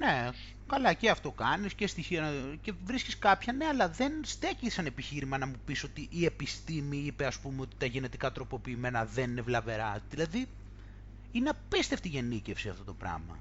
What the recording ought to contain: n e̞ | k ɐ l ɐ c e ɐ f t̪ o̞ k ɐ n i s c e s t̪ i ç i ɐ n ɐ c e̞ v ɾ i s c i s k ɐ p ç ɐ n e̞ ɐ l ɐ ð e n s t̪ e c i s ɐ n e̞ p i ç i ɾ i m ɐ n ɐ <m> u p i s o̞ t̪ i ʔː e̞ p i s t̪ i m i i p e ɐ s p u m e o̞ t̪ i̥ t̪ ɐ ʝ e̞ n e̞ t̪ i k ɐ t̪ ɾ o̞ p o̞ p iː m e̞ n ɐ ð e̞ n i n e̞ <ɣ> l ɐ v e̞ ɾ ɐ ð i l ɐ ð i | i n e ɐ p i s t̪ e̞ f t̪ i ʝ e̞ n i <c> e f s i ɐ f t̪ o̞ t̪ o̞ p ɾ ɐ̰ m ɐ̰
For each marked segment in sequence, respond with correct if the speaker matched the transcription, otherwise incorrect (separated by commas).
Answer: correct, incorrect, correct